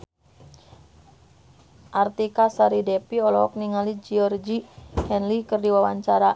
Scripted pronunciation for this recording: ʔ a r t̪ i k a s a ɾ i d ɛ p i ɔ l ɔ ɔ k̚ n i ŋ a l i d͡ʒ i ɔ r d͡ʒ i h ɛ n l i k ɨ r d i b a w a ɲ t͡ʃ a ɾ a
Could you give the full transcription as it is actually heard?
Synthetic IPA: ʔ a r t̪ i k a s a ɾ i d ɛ p i ɔ l ɔ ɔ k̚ n i ŋ a l i d͡ʒ i ɔ r d͡ʒ i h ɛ n l i k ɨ r d i w a w a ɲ t͡ʃ a ɾ a